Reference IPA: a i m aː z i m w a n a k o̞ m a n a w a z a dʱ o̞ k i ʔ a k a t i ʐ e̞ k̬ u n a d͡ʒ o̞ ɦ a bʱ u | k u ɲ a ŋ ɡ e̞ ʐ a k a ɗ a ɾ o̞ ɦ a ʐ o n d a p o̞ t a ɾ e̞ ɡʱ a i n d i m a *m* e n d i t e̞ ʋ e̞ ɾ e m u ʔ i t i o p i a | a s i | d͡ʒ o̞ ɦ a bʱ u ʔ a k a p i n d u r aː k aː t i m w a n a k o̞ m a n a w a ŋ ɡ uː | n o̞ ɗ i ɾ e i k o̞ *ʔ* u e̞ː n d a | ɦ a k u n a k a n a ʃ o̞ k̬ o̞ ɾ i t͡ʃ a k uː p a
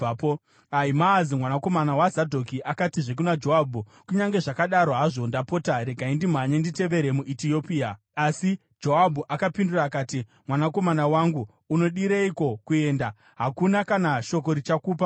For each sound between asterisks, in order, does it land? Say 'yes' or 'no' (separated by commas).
no, no